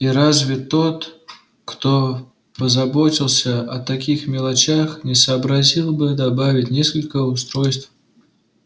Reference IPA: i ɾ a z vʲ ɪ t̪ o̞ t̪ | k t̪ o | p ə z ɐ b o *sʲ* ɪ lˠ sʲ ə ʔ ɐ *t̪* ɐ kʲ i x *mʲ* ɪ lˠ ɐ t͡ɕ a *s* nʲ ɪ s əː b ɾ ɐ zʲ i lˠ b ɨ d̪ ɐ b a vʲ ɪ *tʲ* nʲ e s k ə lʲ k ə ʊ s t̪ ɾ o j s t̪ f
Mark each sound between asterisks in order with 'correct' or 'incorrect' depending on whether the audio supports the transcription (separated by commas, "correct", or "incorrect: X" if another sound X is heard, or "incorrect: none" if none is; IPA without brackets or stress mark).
incorrect: tʲ, correct, correct, incorrect: x, correct